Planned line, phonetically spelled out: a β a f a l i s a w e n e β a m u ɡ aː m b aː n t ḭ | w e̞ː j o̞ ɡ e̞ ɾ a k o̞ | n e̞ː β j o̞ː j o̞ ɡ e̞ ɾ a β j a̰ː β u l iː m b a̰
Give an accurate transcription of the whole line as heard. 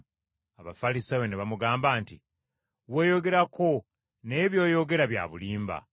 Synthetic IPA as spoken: a β a f a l i s a w e n e β a m u ɡ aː m b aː n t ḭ | w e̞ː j o̞ ɡ e̞ ɾ a k o̞ | n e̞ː β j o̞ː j o̞ ɡ e̞ ɾ a β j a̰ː β u l iː m b a̰